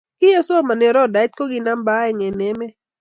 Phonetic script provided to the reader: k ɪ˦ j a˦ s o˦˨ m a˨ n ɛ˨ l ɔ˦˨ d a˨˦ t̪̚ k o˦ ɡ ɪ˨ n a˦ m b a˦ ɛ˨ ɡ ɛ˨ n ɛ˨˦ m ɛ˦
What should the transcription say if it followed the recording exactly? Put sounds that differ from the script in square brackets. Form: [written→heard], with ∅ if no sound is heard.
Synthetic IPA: k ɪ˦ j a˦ s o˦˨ m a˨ n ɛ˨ [l→ɾ] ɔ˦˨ d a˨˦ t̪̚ k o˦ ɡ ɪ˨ n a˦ m b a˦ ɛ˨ [ɡ→ŋ] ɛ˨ n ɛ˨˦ m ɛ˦